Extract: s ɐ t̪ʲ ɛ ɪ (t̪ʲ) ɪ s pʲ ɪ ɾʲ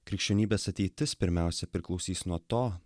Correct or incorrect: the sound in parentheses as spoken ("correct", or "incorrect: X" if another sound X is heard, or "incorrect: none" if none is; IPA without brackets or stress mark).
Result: correct